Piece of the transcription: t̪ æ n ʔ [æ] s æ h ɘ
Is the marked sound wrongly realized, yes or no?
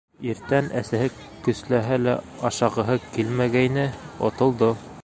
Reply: no